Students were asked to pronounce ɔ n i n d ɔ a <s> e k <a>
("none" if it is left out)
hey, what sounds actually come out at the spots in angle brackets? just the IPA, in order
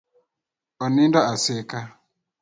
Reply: s, a

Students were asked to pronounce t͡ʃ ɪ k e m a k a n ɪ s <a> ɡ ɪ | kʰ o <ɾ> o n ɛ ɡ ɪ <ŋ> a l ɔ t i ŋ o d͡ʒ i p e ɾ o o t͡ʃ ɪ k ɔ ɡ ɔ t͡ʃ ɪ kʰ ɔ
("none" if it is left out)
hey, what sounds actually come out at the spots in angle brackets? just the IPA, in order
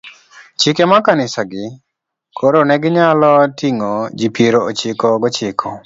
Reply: a, ɾ, ɲ

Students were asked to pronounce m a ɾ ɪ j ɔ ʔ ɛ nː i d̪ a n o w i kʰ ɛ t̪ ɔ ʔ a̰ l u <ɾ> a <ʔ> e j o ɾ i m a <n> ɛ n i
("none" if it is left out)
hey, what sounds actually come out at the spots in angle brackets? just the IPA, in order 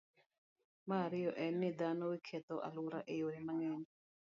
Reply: ɾ, ʔ, ŋ

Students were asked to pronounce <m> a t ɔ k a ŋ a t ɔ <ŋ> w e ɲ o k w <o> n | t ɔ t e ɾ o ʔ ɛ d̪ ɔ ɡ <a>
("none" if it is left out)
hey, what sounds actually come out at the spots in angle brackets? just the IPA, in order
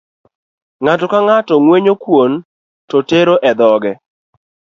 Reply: ŋ, ŋ, o, ɛ

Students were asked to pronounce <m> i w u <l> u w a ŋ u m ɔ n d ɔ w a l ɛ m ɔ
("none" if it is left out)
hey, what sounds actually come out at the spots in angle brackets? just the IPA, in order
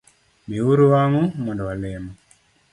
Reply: m, ɾ

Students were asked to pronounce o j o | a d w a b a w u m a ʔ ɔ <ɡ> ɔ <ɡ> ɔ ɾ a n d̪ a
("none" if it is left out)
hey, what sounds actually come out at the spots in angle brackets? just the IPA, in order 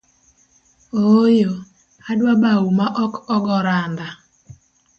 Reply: k, ɡ

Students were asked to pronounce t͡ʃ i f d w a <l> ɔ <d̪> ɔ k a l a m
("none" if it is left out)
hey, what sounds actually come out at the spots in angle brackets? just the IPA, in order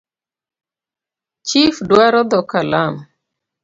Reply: ɾ, d̪

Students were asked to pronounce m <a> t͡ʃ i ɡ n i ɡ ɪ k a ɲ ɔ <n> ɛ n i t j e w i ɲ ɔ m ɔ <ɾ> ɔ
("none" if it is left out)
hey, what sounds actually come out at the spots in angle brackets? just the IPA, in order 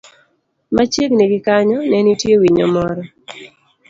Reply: a, n, ɾ

